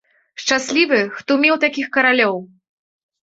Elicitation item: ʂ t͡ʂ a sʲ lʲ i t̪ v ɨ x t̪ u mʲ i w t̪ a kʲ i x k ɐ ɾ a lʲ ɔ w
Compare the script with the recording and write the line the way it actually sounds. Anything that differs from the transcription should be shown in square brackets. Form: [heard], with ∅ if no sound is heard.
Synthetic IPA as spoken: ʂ t͡ʂ a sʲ lʲ i [∅] v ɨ x t̪ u mʲ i w t̪ a kʲ i x k ɐ ɾ a lʲ ɔ w